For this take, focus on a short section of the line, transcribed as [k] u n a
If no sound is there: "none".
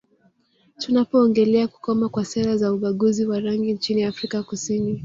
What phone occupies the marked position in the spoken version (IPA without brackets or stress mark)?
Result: t